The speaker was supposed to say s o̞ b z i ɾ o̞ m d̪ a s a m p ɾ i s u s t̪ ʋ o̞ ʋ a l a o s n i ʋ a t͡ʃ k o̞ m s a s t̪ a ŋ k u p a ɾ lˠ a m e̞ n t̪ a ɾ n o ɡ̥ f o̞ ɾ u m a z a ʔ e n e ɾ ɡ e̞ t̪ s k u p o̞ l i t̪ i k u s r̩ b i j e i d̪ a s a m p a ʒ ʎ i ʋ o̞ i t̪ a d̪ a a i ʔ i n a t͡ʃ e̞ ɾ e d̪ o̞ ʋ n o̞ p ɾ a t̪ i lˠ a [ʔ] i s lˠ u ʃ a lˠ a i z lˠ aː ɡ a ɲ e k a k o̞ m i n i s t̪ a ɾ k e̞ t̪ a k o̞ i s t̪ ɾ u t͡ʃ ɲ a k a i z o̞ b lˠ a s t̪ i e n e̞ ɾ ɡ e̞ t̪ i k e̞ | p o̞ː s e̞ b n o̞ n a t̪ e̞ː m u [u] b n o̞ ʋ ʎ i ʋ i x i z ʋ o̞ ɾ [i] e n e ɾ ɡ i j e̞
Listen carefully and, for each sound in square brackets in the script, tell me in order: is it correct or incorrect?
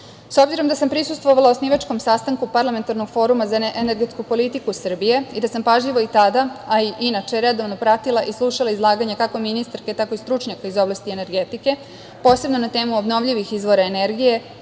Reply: correct, incorrect: o, incorrect: a

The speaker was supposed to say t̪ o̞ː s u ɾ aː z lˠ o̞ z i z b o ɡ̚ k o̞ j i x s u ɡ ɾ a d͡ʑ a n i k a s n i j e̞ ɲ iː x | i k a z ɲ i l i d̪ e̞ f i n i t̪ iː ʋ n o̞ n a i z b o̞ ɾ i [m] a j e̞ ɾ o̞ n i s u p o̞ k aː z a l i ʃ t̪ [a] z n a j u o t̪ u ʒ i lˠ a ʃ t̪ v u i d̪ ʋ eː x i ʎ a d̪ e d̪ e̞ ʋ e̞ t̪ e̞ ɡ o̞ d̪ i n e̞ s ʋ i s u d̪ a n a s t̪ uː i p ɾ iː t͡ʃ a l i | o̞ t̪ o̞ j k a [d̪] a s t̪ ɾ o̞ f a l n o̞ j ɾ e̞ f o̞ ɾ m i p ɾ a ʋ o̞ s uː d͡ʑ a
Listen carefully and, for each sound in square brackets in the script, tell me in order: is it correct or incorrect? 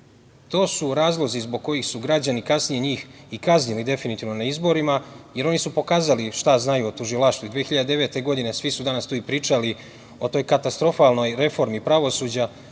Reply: correct, correct, incorrect: t̪

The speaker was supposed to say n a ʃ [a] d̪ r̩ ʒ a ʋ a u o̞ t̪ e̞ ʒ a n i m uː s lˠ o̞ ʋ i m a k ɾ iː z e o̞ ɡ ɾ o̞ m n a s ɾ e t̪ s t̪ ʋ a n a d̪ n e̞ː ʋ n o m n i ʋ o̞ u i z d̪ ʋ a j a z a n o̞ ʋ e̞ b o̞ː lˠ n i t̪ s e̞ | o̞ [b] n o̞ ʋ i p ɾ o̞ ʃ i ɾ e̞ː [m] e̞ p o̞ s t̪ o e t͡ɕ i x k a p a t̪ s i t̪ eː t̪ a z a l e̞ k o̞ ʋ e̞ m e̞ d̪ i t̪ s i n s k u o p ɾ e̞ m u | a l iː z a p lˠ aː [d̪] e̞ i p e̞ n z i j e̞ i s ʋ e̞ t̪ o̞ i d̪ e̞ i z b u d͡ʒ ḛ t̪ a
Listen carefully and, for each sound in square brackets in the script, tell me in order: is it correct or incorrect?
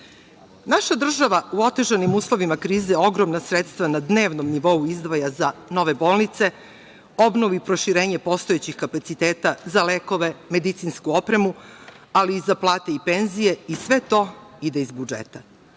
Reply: correct, correct, incorrect: ɲ, incorrect: t̪

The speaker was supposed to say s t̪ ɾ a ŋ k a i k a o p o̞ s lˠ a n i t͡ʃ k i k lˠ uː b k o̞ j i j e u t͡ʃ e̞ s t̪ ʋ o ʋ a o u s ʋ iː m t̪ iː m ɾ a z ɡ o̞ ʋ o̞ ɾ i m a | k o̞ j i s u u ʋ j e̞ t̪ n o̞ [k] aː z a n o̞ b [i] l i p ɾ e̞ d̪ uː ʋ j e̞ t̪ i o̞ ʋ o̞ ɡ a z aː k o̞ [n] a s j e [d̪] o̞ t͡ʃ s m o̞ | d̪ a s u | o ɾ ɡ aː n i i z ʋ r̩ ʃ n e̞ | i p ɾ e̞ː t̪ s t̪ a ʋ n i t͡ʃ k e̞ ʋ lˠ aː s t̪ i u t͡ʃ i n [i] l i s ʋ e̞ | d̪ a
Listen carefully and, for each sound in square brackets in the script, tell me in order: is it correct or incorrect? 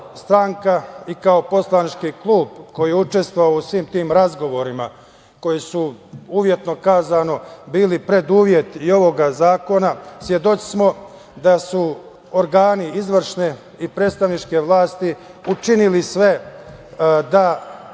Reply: correct, incorrect: iː, correct, correct, correct

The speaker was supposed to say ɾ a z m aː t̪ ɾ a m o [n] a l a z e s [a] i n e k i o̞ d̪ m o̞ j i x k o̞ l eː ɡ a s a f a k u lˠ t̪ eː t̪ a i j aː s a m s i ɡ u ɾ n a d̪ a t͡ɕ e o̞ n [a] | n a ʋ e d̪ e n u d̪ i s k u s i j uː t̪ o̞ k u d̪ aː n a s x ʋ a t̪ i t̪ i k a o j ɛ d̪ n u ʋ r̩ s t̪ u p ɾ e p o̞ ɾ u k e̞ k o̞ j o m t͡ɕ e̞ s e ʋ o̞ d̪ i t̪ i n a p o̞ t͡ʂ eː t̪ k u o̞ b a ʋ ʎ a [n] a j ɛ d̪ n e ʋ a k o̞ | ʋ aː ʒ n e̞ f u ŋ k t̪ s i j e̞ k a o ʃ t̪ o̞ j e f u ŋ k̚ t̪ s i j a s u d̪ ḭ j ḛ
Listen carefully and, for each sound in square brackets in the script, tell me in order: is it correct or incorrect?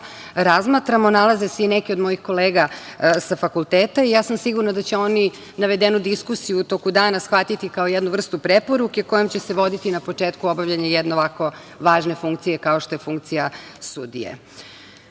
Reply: correct, incorrect: e, incorrect: i, incorrect: ɲ

